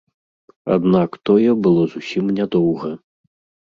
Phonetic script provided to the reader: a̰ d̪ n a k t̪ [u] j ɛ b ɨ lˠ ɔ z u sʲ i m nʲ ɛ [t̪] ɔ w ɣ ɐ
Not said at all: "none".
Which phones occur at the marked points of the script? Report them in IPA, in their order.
ɔ, d̪

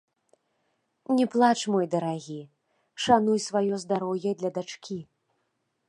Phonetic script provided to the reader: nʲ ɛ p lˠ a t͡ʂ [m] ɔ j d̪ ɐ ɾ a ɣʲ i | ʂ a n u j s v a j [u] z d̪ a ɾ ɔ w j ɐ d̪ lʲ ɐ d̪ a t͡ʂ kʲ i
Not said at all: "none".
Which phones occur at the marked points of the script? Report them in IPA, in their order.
m, ɔ

